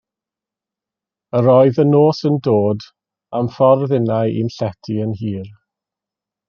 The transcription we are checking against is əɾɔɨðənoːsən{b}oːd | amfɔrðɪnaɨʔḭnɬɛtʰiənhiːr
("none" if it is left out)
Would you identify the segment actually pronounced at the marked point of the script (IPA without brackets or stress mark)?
d